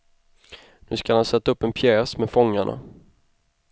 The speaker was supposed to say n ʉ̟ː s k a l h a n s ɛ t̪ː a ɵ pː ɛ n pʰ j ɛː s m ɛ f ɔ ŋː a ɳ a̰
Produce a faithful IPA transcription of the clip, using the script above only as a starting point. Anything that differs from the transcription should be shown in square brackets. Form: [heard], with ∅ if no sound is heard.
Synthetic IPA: n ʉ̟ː s k a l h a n s ɛ t̪ː a ɵ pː ɛ n pʰ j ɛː s m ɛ f ɔ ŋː a ɳ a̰

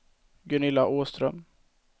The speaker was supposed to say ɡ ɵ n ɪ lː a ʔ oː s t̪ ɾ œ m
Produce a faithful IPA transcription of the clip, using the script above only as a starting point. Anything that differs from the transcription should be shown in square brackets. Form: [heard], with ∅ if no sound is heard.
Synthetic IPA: ɡ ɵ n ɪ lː a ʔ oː s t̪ ɾ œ m

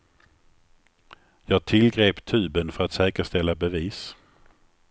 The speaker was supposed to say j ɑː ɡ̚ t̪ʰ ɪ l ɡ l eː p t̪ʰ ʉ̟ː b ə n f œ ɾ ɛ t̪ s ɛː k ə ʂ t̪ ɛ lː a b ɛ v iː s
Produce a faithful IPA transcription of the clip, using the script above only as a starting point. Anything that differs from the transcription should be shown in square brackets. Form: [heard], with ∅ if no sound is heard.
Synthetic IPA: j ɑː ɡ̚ t̪ʰ ɪ l ɡ [ɾ] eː p t̪ʰ ʉ̟ː b ə n f œ ɾ [a] t̪ s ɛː k ə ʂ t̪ ɛ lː a b ɛ v iː s

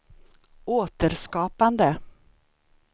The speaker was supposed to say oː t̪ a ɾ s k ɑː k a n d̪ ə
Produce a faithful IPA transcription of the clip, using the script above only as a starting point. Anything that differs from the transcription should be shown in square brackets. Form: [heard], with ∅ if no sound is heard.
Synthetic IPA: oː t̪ [ə] ɾ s k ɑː [p] a n d̪ ə

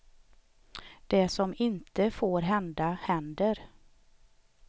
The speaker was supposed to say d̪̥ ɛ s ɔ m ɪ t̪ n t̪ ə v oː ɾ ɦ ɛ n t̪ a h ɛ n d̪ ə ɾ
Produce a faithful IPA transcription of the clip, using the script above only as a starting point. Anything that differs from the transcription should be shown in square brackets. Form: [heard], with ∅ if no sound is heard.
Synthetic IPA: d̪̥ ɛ s ɔ m ɪ [∅] n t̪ ə [f] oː ɾ ɦ ɛ n [d̪] a h ɛ n d̪ ə ɾ

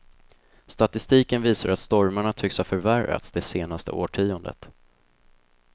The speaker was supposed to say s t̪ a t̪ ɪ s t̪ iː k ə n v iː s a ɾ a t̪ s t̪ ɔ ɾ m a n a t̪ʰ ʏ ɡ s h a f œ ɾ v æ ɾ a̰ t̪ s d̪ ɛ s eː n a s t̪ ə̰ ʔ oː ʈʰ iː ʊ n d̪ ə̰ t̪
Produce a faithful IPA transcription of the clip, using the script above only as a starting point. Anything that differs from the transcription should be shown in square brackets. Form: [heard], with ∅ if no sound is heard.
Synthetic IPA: s t̪ a t̪ ɪ s t̪ iː k ə n v iː s a ɾ a t̪ s t̪ ɔ ɾ m a [ɳ] a t̪ʰ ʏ [k] s h a f œ ɾ v æ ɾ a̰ t̪ s d̪ ɛ s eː n a s t̪ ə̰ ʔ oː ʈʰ iː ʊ n d̪ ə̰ t̪

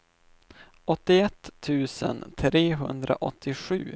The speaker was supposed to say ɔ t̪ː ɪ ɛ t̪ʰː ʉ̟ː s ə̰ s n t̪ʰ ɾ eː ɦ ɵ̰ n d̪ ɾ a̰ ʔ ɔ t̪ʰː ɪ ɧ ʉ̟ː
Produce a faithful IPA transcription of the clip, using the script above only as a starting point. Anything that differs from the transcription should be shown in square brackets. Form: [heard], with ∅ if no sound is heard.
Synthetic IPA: ɔ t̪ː ɪ ɛ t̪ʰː ʉ̟ː s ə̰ [∅] n t̪ʰ ɾ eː ɦ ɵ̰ n d̪ ɾ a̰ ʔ ɔ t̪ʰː ɪ ɧ ʉ̟ː

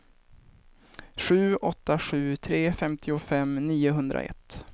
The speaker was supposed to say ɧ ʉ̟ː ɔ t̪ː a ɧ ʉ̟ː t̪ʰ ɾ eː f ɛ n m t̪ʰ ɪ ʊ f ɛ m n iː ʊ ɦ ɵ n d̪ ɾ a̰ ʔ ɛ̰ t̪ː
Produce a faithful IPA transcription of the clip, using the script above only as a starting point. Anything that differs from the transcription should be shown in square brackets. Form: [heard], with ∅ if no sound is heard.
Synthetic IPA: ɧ ʉ̟ː ɔ t̪ː a ɧ ʉ̟ː t̪ʰ ɾ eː f ɛ [∅] m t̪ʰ ɪ ʊ f ɛ m n iː ʊ ɦ ɵ n d̪ ɾ a̰ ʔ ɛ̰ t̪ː

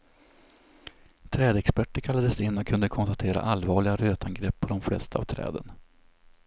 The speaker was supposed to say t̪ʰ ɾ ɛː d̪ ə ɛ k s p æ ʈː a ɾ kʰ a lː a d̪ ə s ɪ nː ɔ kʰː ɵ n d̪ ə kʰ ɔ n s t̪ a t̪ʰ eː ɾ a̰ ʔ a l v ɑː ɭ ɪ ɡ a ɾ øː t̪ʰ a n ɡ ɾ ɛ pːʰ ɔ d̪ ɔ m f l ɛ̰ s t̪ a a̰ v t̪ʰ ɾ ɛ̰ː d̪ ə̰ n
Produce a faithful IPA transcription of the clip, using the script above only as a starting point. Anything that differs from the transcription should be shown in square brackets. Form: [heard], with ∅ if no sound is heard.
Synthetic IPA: t̪ʰ ɾ ɛː d̪ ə ɛ k s p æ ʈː [ə] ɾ kʰ a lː a d̪ ə s ɪ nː ɔ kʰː ɵ n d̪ ə kʰ ɔ n s t̪ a t̪ʰ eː ɾ a̰ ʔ a l v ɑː ɭ ɪ ɡ a ɾ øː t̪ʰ a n ɡ ɾ ɛ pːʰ ɔ d̪ ɔ m f l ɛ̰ s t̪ a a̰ v t̪ʰ ɾ ɛ̰ː d̪ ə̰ n

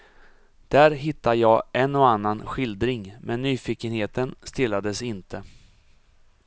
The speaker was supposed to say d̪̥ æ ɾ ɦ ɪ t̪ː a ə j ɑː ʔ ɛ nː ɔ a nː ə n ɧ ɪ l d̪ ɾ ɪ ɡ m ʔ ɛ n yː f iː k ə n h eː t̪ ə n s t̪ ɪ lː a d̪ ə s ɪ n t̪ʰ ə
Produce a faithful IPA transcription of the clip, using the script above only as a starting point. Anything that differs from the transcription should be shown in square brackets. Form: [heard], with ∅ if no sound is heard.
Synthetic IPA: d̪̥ æ ɾ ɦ ɪ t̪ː a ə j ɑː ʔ ɛ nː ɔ a nː [a] n ɧ ɪ l d̪ ɾ ɪ [ŋ] m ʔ ɛ [nː] yː f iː k ə n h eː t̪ ə n s t̪ ɪ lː a d̪ ə s ɪ n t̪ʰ ə

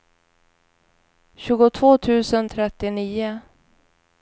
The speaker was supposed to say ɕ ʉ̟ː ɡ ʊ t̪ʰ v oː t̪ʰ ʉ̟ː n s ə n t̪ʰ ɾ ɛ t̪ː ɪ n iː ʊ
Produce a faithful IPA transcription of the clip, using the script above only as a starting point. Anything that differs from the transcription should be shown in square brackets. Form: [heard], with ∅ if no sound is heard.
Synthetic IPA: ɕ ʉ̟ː ɡ ʊ t̪ʰ v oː t̪ʰ ʉ̟ː [∅] s ə n t̪ʰ ɾ ɛ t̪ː ɪ n iː ʊ

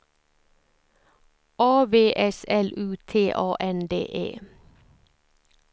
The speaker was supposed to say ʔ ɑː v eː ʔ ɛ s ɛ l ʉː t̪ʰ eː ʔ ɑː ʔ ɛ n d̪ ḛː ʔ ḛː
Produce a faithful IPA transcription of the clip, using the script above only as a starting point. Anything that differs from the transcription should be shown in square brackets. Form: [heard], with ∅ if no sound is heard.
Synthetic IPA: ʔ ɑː [ʋ] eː ʔ ɛ s ɛ l ʉː t̪ʰ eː ʔ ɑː ʔ ɛ n d̪ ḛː ʔ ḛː

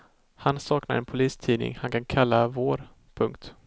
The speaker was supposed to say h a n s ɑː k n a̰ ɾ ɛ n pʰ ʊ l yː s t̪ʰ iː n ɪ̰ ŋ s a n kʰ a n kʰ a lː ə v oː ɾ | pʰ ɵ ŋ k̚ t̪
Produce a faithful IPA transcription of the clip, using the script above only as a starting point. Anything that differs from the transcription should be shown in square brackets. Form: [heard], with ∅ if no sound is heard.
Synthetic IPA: h a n s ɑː k n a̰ ɾ ɛ n pʰ ʊ l [iː] s t̪ʰ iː n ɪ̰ ŋ [h] a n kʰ a n kʰ a lː [a] v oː ɾ | pʰ ɵ ŋ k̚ t̪

